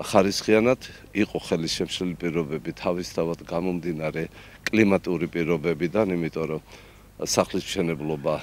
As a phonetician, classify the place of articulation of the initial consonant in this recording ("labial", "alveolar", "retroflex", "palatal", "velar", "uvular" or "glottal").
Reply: uvular